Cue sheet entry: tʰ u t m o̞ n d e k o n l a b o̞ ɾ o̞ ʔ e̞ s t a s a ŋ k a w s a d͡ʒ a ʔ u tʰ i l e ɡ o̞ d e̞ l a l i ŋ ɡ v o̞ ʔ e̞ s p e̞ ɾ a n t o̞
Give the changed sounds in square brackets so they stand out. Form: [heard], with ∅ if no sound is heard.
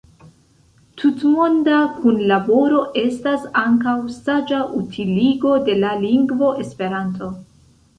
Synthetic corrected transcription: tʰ u t m o̞ n d [a] k [u] n l a b o̞ ɾ o̞ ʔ e̞ s t a s a ŋ k a w s a d͡ʒ a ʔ u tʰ i l [i] ɡ o̞ d e̞ l a l i ŋ ɡ v o̞ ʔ e̞ s p e̞ ɾ a n t o̞